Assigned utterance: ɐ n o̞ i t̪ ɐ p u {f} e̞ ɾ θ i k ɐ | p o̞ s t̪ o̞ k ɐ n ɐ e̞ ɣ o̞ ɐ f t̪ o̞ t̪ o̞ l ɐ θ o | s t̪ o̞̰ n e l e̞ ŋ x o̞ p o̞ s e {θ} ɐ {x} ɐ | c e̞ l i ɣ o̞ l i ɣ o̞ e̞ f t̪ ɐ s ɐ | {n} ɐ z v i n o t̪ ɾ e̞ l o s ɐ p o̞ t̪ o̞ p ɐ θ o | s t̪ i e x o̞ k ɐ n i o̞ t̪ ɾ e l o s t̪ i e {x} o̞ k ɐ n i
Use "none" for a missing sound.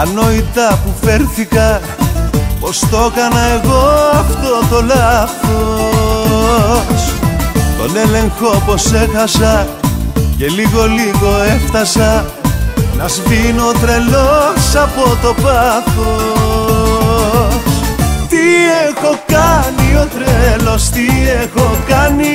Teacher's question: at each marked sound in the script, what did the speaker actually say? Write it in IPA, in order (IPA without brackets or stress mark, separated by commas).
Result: f, x, s, n, x